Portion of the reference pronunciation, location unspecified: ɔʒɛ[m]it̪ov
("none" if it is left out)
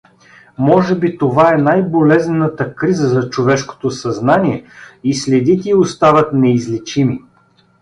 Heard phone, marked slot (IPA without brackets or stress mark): b